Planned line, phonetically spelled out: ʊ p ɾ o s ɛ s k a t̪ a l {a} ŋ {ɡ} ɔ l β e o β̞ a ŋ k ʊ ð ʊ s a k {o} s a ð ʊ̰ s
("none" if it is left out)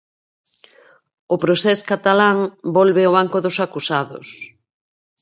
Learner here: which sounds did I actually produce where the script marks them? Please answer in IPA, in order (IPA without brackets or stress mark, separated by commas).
a, b, u